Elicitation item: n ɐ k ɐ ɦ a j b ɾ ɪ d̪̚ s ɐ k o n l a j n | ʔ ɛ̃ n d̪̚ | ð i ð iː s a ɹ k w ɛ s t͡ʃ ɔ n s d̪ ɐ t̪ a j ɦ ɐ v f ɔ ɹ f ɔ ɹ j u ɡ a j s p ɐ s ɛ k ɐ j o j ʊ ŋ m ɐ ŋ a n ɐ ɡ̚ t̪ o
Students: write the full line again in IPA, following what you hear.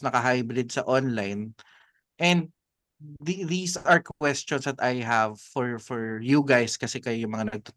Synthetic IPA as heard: n ɐ k ɐ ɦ a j b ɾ ɪ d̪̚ s ɐ ʔ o n l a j n | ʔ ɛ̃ n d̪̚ | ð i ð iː s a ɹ k w ɛ s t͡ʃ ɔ n s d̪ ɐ t̪ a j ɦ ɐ v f ɔ ɹ f ɔ ɹ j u ɡ a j s k ɐ s ɛ k ɐ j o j ʊ ŋ m ɐ ŋ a n ɐ ɡ̚ t̪ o